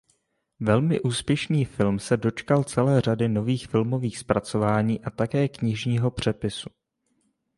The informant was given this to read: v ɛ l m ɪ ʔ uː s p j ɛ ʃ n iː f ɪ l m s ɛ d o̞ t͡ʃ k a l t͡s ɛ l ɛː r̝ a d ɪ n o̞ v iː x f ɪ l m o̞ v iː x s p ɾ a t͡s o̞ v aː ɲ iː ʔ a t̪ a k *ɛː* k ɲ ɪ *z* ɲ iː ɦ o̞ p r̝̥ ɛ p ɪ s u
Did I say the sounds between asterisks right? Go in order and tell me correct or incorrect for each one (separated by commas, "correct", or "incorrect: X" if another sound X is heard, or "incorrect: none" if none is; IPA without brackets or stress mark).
correct, incorrect: ʒ